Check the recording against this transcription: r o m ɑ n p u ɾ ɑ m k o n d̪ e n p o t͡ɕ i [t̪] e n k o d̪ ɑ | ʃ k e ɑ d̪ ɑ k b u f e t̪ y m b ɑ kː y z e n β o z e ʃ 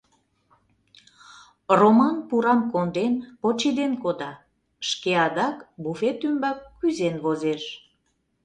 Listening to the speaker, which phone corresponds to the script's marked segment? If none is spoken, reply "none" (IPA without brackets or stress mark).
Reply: d̪